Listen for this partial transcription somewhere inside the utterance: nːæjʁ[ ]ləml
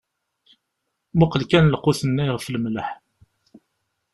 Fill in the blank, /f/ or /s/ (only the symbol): f